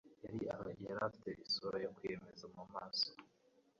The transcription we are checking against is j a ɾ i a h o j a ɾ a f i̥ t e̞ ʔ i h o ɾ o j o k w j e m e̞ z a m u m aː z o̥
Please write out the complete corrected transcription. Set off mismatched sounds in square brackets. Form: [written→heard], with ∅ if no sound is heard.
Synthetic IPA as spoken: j a ɾ i a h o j a ɾ a f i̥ t e̞ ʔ i [h→s] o ɾ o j o k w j e m e̞ z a m u m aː [z→s] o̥